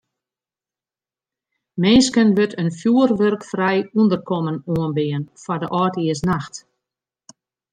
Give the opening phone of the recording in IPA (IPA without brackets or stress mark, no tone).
m